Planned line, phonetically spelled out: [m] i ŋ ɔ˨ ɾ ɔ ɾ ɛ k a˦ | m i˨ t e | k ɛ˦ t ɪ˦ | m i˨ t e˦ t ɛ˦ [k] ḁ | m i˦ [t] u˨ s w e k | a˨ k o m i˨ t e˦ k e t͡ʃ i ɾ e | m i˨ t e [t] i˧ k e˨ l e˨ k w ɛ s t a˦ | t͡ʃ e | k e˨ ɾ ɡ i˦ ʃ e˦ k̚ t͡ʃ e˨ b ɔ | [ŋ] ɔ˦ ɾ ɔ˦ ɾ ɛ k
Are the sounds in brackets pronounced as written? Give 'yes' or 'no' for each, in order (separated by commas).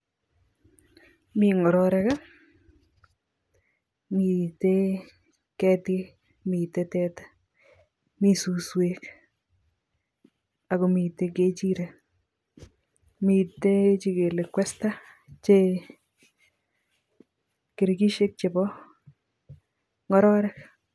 yes, no, no, no, yes